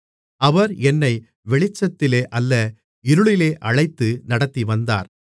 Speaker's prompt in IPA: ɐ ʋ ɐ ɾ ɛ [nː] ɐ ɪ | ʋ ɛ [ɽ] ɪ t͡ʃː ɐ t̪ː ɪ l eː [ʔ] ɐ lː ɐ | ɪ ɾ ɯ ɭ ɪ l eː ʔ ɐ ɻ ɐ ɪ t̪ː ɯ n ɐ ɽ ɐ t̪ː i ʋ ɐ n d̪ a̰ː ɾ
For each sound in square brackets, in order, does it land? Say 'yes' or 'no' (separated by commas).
yes, no, yes